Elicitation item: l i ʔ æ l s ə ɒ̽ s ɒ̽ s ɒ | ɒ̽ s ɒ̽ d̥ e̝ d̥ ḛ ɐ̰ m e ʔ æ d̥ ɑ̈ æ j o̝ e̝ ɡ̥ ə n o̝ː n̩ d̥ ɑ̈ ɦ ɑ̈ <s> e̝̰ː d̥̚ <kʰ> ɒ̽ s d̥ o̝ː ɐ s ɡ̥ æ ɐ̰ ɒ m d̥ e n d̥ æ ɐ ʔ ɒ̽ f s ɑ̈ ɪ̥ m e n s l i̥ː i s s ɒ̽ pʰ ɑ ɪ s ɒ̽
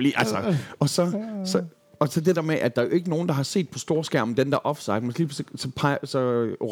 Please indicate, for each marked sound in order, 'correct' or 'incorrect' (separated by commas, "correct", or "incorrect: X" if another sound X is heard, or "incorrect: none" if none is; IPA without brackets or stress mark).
correct, incorrect: pʰ